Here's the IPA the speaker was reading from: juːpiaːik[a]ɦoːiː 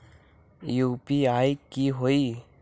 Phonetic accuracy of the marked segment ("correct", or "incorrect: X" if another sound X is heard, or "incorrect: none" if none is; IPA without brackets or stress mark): incorrect: i